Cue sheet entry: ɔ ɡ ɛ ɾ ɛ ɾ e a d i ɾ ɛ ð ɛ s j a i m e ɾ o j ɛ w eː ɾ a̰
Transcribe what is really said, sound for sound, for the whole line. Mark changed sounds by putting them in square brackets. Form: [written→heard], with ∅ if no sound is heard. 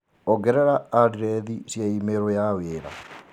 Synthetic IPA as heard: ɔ ɡ ɛ ɾ ɛ ɾ [e→a] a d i ɾ ɛ ð [ɛ→i] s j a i m e ɾ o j [ɛ→a] w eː ɾ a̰